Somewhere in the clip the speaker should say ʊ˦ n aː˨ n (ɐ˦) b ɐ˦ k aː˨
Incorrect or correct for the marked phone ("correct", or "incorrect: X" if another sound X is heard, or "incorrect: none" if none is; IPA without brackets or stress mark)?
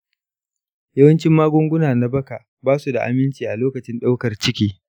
incorrect: a˦